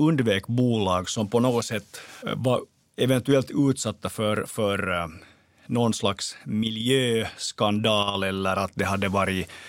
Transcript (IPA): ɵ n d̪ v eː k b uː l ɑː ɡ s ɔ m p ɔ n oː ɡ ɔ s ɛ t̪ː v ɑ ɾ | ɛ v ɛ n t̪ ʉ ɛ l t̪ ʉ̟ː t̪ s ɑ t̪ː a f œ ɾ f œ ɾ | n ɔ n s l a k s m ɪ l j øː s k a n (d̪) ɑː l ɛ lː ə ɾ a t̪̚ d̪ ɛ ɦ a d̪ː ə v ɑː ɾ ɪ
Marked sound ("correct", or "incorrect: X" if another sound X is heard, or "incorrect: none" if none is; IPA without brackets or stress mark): correct